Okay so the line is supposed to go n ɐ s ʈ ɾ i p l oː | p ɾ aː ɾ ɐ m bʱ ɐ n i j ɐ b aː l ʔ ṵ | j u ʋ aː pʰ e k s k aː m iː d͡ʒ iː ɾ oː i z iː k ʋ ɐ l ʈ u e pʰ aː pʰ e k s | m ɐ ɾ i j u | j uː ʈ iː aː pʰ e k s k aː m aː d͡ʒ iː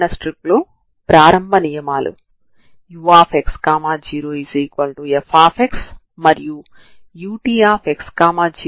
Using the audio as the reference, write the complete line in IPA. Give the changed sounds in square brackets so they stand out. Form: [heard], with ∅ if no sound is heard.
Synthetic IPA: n ɐ s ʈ ɾ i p l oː | p ɾ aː ɾ ɐ m bʱ ɐ n i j ɐ [m] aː l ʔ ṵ | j u ʋ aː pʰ e k s k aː m [aː] d͡ʒ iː ɾ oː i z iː k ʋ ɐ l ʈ u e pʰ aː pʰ e k s | m ɐ ɾ i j u | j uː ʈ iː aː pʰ e k s k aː m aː d͡ʒ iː